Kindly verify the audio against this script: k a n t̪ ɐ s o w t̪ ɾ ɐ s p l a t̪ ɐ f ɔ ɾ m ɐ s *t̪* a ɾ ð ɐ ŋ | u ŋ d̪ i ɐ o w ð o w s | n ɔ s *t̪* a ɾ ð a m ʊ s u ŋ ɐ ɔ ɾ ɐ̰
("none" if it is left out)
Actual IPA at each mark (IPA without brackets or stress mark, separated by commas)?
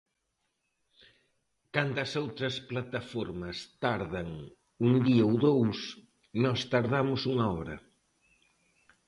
t̪, t̪